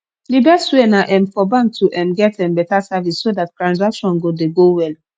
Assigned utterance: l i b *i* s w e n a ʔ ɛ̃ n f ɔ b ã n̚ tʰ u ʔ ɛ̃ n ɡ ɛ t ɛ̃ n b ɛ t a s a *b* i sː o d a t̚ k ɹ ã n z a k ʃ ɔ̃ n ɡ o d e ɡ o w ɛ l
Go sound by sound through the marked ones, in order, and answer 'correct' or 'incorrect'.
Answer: incorrect: ɛ, incorrect: v

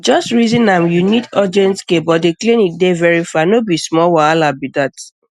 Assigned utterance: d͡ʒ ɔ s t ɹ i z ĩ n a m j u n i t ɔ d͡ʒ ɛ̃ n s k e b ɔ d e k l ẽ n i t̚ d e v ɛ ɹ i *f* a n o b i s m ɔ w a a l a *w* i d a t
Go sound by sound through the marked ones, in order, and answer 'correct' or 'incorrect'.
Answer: correct, incorrect: b

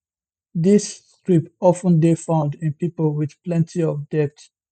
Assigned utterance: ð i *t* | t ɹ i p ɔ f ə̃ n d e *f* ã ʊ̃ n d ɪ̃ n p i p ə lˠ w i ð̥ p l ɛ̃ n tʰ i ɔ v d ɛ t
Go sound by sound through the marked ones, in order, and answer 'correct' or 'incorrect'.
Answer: incorrect: s, correct

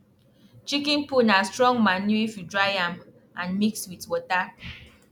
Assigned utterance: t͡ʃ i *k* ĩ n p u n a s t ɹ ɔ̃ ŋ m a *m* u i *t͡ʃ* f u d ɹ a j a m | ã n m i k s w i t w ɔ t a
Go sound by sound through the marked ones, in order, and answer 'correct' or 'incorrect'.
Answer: correct, incorrect: n, incorrect: none

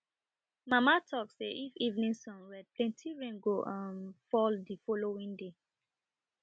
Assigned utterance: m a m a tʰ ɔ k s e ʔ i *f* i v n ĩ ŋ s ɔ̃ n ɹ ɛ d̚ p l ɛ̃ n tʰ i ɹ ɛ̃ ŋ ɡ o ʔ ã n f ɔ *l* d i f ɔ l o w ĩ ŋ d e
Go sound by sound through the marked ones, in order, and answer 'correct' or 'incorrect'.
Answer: correct, correct

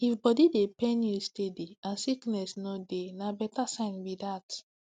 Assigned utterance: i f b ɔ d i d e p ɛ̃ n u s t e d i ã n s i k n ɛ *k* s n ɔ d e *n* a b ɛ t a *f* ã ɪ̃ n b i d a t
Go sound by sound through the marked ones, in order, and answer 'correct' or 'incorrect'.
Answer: incorrect: none, correct, incorrect: s

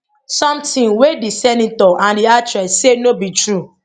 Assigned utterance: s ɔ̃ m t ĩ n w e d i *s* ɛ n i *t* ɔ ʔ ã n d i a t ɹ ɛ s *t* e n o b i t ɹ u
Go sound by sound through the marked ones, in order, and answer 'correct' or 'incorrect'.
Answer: correct, correct, incorrect: s

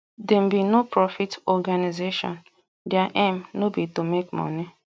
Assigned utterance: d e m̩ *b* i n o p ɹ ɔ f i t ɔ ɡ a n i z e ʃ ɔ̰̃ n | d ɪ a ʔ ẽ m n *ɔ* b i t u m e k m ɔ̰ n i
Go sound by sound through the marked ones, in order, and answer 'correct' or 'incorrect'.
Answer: correct, incorrect: o

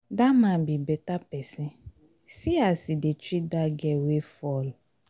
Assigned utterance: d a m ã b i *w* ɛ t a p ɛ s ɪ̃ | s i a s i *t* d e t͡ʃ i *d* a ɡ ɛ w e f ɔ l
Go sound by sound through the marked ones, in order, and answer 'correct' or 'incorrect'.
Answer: incorrect: b, incorrect: none, correct

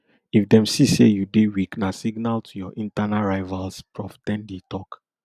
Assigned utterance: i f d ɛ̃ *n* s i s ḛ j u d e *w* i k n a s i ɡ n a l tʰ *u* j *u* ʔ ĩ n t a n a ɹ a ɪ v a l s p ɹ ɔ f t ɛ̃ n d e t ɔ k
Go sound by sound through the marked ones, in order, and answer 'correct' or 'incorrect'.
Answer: incorrect: m, correct, correct, incorrect: ɔ

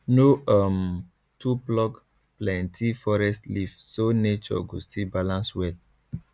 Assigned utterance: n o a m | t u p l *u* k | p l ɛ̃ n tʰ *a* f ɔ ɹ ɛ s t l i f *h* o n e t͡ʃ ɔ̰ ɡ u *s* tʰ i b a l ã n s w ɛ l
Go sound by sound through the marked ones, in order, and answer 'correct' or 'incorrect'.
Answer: incorrect: ɔ, incorrect: i, incorrect: s, correct

